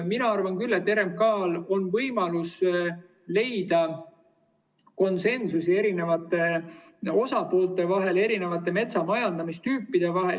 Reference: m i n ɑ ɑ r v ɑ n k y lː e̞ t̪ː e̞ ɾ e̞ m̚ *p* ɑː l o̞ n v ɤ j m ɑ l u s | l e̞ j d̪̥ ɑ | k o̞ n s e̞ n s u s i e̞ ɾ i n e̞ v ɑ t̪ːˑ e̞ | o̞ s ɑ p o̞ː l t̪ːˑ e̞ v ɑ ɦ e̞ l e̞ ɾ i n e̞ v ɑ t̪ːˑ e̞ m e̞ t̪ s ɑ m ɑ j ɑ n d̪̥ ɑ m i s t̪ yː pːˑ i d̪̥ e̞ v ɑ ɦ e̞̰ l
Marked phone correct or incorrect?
incorrect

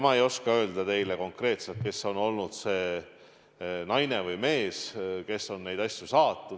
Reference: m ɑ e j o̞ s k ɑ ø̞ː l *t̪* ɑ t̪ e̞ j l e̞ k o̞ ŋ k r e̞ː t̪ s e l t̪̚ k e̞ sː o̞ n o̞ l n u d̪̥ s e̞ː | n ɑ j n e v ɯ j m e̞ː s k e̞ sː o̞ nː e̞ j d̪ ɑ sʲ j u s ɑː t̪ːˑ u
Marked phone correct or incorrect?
incorrect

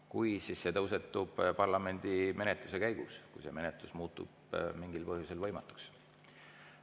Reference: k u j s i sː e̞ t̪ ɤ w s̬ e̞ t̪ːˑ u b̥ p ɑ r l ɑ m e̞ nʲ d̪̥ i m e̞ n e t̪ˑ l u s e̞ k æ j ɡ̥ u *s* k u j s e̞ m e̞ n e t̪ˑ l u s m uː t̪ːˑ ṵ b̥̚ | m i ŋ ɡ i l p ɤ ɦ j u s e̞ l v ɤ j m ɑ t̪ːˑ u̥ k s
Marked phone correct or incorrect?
correct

